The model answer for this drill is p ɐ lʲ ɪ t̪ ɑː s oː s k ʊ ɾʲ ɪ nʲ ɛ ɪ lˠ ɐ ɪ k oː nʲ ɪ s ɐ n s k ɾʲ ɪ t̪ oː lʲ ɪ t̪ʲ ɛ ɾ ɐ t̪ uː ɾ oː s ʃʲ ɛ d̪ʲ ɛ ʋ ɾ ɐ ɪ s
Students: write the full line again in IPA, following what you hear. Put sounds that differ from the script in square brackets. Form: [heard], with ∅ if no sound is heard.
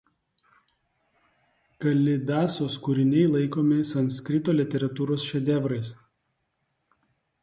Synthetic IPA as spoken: [k] ɐ lʲ ɪ [d̪] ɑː s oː s k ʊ ɾʲ ɪ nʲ ɛ ɪ lˠ ɐ ɪ k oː [mʲ] ɪ s ɐ n s k ɾʲ ɪ t̪ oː lʲ ɪ t̪ʲ ɛ ɾ ɐ t̪ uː ɾ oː s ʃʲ ɛ d̪ʲ ɛ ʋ ɾ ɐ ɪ s